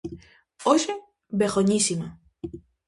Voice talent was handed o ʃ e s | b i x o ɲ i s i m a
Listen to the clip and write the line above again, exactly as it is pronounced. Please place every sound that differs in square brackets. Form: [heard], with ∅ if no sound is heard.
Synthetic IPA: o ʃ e [∅] | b [e] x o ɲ i s i m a